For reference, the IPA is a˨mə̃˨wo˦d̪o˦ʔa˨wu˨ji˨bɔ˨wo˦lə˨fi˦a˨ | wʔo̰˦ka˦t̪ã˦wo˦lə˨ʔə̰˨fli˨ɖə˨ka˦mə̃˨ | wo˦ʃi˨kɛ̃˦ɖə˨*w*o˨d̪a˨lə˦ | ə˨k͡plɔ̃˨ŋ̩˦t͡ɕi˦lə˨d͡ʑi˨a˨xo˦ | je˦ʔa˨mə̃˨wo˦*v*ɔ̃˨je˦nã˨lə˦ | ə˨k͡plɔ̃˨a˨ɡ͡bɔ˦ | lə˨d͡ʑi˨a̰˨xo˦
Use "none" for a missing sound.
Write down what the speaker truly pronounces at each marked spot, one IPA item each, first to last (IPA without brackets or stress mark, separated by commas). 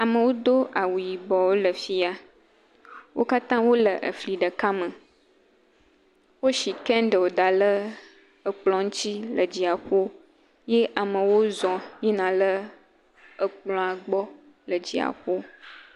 w, z